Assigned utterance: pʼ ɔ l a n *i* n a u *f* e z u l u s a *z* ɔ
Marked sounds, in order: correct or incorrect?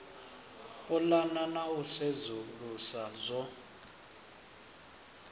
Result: incorrect: a, incorrect: s, correct

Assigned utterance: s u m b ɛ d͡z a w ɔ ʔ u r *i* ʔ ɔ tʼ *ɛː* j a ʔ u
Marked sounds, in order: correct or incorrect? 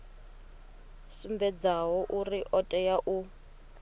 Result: correct, incorrect: ɛ

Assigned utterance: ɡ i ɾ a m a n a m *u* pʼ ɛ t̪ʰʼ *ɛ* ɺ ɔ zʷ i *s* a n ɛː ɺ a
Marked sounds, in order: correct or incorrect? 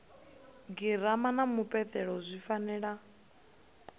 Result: correct, correct, incorrect: f

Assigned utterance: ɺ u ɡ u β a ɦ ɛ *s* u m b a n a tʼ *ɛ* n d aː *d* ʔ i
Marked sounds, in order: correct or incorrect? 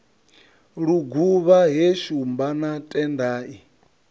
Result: incorrect: ʃ, correct, incorrect: none

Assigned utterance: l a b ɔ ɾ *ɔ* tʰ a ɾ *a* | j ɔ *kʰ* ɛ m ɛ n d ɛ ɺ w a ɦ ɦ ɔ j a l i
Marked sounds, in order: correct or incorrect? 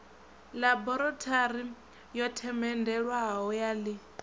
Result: correct, incorrect: i, incorrect: tʰ

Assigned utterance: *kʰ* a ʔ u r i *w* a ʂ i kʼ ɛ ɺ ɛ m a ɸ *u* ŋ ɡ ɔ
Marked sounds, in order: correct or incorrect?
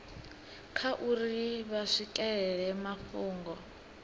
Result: correct, incorrect: β, incorrect: uː

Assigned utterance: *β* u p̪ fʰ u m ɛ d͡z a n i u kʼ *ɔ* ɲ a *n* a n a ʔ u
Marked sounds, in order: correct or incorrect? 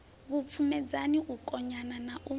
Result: correct, correct, correct

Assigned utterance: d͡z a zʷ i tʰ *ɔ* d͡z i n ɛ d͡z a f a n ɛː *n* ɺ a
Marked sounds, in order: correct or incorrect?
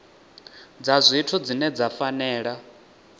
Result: incorrect: u, incorrect: none

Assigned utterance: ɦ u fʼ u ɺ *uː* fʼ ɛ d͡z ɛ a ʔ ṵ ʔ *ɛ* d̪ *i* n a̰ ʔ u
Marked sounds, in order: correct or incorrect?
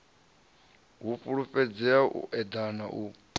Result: incorrect: u, correct, incorrect: a

